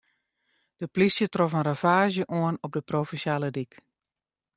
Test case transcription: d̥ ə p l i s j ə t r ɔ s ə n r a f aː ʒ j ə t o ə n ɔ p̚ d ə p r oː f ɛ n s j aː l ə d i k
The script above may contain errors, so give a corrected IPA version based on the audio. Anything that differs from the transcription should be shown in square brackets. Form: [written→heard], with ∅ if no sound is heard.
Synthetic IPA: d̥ ə p l i s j ə t r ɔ [s→f] ə n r a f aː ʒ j ə [t→ʔ] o ə n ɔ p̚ d ə p r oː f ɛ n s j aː l ə d i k